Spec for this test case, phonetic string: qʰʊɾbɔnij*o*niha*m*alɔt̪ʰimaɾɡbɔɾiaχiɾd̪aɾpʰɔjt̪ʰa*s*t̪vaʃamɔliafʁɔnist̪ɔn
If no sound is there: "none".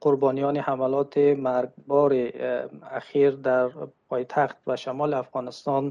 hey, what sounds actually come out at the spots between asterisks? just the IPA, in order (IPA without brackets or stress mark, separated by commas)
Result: ɔ, m, χ